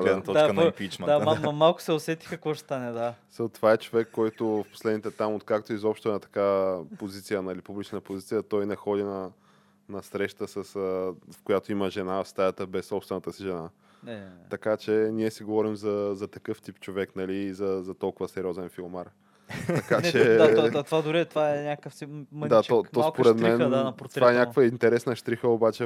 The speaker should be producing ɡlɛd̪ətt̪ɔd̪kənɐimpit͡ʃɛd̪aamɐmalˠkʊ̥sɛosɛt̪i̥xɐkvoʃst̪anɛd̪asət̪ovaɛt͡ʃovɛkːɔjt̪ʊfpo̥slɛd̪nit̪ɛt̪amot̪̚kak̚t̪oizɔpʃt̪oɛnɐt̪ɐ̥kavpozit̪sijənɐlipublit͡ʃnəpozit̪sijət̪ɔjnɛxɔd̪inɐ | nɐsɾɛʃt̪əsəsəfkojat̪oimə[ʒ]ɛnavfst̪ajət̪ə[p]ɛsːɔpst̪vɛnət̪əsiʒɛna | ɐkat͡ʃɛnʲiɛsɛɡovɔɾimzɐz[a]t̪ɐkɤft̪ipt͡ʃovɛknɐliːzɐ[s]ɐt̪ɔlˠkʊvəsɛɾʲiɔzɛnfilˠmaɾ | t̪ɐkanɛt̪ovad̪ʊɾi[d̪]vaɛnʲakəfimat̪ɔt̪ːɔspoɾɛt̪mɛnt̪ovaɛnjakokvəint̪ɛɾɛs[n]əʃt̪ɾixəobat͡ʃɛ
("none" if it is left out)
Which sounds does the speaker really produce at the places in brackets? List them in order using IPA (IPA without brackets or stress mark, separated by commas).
ʒ, b, ɐ, z, t̪, n